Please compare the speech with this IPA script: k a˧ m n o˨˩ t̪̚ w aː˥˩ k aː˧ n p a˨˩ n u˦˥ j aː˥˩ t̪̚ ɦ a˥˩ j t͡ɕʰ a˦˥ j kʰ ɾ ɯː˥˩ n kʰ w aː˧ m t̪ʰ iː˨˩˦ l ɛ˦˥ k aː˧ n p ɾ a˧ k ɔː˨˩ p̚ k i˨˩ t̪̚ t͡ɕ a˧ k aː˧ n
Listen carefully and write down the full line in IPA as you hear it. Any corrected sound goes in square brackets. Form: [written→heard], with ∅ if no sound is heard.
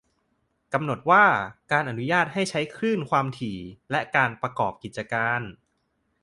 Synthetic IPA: k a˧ m n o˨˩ t̪̚ w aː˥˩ k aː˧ n [p→ʔ] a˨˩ n u˦˥ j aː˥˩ t̪̚ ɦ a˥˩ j t͡ɕʰ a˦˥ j kʰ ɾ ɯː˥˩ n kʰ w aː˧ m t̪ʰ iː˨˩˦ l ɛ˦˥ k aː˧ n p ɾ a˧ k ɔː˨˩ p̚ k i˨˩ t̪̚ t͡ɕ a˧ k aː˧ n